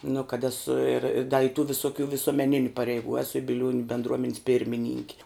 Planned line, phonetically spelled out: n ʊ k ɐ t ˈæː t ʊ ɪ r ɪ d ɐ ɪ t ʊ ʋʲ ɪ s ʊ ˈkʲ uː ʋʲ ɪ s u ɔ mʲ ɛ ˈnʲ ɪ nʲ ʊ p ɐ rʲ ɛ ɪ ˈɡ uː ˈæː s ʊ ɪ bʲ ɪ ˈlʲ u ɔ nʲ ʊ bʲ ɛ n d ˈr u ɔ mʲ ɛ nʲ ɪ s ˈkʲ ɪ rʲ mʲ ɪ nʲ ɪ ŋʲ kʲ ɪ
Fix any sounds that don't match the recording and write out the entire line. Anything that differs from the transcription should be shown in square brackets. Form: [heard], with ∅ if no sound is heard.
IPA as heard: n ʊ k ɐ t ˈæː [s] ʊ ɪ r ɪ d ɐ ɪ t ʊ ʋʲ ɪ s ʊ ˈkʲ uː ʋʲ ɪ s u ɔ mʲ ɛ ˈnʲ ɪ nʲ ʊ p ɐ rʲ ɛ ɪ ˈɡ uː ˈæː s ʊ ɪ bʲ ɪ ˈlʲ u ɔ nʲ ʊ bʲ ɛ n d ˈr u ɔ mʲ ɛ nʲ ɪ s [ˈpʲ] ɪ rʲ mʲ ɪ nʲ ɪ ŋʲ kʲ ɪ